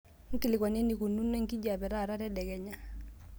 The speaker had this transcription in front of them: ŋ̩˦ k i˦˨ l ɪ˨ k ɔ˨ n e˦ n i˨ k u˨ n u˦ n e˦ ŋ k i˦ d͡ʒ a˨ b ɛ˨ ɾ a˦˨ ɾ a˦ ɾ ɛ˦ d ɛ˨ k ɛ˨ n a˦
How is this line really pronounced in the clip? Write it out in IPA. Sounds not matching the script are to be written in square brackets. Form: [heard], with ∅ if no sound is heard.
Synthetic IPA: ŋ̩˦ k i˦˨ l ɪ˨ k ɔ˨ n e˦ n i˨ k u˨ n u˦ n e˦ ŋ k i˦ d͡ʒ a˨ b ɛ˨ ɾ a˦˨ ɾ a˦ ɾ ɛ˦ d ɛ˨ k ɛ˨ [ɲ] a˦